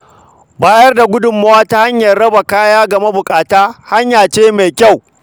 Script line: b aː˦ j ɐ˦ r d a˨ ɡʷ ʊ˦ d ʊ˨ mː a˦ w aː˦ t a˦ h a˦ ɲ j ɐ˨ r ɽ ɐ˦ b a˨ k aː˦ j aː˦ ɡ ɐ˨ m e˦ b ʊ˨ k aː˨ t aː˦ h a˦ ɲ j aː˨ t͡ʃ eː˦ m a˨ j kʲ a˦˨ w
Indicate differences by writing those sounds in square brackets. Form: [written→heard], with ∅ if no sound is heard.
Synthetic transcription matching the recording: b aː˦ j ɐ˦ r d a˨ ɡʷ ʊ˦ d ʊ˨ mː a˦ w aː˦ t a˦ h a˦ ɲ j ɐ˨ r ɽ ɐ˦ b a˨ k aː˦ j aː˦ ɡ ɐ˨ m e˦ b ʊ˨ [k→kʼ] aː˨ t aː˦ h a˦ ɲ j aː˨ t͡ʃ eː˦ m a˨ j kʲ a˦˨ w